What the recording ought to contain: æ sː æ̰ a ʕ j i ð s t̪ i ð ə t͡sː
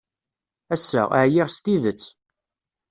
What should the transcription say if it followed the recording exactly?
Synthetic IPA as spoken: æ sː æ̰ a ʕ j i ʁ s t̪ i ð ə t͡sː